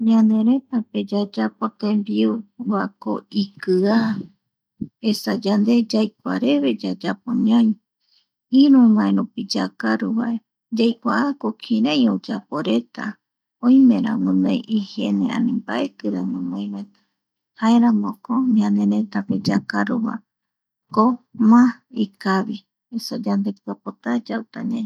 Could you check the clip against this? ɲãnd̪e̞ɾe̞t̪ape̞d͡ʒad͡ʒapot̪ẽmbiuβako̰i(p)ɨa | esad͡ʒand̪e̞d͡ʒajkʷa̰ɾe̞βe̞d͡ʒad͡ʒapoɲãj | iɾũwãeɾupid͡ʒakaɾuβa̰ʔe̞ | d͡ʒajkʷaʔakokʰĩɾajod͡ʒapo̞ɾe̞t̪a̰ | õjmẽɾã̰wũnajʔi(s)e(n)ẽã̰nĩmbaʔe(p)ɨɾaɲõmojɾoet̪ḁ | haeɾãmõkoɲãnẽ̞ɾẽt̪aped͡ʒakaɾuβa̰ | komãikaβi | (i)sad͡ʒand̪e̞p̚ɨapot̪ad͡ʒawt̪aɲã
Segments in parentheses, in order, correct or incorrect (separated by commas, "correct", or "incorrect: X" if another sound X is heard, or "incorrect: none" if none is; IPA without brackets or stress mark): incorrect: k, incorrect: h, correct, incorrect: k, incorrect: e